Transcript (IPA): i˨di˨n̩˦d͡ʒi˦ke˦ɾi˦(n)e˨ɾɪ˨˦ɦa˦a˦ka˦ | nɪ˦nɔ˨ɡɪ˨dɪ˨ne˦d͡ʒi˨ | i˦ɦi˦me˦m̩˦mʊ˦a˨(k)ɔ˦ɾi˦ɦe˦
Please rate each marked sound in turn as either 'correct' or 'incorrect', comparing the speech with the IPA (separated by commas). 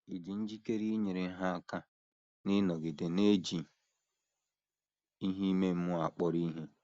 incorrect, incorrect